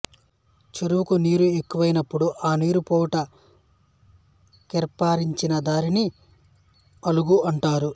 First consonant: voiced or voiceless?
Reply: voiceless